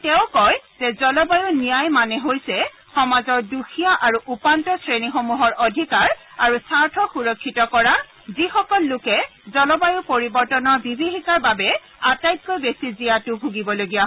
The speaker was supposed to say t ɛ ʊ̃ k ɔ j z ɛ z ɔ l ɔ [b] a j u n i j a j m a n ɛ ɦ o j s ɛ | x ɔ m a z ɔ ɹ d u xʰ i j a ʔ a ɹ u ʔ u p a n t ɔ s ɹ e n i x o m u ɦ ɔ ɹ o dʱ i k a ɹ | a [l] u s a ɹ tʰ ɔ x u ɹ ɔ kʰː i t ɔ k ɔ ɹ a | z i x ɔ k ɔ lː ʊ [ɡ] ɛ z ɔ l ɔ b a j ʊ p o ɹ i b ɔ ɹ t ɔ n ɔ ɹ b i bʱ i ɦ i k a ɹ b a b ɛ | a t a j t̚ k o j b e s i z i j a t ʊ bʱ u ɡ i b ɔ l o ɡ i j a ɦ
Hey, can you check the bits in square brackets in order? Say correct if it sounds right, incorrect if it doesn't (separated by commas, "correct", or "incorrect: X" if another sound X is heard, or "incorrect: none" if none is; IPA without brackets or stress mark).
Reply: correct, incorrect: ɹ, incorrect: k